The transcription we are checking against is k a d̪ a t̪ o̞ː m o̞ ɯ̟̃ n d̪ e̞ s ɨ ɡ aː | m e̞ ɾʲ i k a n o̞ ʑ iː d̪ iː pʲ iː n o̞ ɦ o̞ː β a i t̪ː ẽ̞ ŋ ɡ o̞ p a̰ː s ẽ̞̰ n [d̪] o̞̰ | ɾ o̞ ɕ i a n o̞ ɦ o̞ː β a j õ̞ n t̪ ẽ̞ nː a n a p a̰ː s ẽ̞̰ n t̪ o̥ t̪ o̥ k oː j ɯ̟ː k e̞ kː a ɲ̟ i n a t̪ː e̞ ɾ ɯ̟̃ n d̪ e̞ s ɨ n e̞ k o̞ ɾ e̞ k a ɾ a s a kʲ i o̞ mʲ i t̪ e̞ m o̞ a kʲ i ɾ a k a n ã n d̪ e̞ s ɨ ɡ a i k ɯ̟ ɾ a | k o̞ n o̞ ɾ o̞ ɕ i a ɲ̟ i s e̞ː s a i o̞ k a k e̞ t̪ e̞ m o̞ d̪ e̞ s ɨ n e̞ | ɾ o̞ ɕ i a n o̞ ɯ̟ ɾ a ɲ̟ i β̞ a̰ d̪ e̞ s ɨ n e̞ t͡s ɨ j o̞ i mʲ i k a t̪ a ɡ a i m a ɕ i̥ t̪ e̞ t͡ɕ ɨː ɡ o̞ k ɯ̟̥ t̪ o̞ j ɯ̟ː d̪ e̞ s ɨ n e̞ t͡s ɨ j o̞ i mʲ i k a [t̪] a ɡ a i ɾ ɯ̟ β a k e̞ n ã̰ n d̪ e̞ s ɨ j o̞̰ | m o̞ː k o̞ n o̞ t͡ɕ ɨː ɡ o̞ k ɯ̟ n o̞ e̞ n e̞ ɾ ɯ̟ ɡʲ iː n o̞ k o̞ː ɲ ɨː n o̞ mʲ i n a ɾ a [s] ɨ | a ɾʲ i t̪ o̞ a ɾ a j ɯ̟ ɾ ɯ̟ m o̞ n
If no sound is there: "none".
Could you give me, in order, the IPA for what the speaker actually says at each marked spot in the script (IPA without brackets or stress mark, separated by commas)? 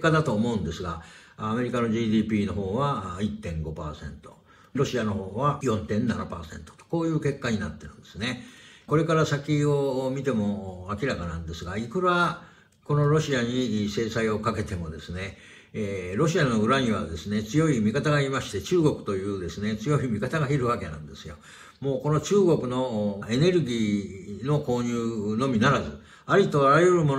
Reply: t̪, t̪, z